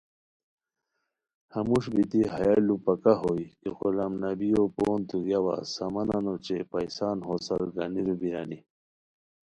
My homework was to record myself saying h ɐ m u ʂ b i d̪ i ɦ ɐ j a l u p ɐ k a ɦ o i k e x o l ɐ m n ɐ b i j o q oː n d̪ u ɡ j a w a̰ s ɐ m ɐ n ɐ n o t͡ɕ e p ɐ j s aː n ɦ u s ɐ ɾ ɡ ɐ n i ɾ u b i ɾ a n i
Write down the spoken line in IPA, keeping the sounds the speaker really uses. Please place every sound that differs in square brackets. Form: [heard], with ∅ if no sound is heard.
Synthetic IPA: h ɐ m u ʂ b i [t̪] i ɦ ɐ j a l u p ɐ k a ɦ o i k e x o l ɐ m n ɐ b i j o [p] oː n [t̪] u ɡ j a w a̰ s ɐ m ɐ n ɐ n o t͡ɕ e p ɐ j s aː n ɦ [o] s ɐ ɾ ɡ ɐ n i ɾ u b i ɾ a n i

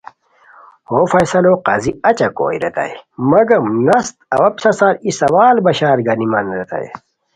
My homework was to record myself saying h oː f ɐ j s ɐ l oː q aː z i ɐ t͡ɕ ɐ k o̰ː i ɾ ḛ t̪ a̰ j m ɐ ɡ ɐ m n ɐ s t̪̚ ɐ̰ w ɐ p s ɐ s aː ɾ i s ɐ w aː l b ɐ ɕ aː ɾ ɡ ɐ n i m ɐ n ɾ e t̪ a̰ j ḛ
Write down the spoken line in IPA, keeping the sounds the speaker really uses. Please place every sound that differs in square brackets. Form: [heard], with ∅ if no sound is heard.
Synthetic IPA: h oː f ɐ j s ɐ l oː q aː z i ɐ t͡ɕ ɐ k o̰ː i ɾ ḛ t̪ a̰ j m ɐ ɡ ɐ m n ɐ s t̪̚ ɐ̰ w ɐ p s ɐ s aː ɾ i s ɐ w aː l b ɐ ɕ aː ɾ ɡ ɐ n i m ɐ n ɾ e t̪ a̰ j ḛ

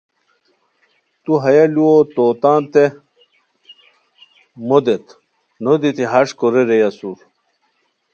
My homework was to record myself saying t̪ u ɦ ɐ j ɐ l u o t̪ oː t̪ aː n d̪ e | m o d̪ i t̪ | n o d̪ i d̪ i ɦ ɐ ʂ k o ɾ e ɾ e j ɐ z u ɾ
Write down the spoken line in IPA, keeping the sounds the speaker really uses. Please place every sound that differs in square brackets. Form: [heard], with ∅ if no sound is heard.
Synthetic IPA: t̪ u ɦ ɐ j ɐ l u o t̪ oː t̪ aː n [t̪] e | m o d̪ [e] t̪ | n o d̪ i [t̪] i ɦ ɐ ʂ k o ɾ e ɾ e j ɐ [s] u ɾ

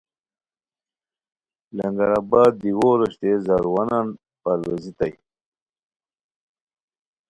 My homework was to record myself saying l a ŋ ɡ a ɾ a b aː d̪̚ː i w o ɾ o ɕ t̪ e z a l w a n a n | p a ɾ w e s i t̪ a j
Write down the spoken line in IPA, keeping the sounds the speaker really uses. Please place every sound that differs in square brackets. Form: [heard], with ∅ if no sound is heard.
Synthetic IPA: l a ŋ ɡ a ɾ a b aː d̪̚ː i w o ɾ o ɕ t̪ e z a [ɾ] w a n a n | p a ɾ w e [z] i t̪ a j

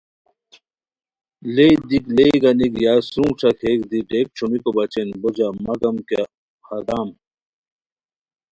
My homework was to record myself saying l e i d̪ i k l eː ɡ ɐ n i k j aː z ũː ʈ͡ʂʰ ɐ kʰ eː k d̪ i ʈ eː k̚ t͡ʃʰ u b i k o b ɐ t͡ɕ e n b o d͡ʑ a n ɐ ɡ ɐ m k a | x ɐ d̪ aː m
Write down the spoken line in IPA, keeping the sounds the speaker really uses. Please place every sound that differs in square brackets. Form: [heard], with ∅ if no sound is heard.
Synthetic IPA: l e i d̪ i k l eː ɡ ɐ n i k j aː [s] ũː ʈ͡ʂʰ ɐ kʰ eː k d̪ i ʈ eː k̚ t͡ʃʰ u [m] i k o b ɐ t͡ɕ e n b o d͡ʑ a [m] ɐ ɡ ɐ m k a | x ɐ d̪ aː m

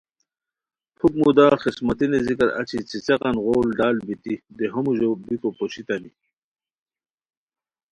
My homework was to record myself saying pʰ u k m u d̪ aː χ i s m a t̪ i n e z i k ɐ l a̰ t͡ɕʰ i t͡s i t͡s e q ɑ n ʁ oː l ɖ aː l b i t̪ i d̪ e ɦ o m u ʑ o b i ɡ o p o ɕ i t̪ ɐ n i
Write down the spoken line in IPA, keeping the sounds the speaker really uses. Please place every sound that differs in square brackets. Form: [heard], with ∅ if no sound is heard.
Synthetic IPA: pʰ u k m u d̪ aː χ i s m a t̪ i n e z i k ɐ [ɾ] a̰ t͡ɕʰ i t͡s i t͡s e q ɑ n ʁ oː l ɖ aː l b i t̪ i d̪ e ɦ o m u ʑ o b i [k] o p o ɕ i t̪ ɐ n i

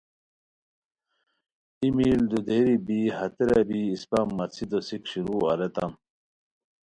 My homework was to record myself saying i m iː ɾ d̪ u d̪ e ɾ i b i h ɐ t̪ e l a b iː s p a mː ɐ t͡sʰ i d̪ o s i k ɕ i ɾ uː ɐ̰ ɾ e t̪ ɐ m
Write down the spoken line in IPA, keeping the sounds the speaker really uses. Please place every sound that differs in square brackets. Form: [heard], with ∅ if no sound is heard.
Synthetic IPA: i m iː [l] d̪ u d̪ e ɾ i b i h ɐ t̪ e [ɾ] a b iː s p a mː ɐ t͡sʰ i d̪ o s i k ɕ i ɾ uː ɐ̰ ɾ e t̪ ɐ m

